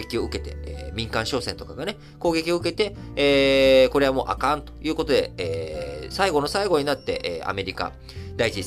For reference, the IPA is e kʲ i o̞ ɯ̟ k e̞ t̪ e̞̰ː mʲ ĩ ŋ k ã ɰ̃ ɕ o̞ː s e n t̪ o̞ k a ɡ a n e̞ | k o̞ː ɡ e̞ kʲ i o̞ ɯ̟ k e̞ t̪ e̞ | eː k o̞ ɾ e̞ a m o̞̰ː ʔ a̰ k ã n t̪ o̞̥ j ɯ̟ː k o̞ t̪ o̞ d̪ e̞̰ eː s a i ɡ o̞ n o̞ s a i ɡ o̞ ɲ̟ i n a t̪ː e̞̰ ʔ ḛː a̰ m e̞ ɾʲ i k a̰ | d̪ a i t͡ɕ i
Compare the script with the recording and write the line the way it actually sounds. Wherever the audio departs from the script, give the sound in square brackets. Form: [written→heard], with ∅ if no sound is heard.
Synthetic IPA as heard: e kʲ i o̞ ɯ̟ k e̞ t̪ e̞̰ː mʲ ĩ ŋ k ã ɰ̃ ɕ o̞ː s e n t̪ o̞ k a ɡ a n e̞ | k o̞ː ɡ e̞ kʲ i o̞ ɯ̟ k e̞ t̪ e̞ | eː k o̞ ɾ e̞ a m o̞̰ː ʔ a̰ k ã n t̪ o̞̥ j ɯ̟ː k o̞ t̪ o̞ d̪ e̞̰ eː s a i ɡ o̞ n o̞ s a i ɡ o̞ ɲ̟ i n a t̪ː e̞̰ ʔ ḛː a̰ m e̞ ɾʲ i k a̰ | d̪ a i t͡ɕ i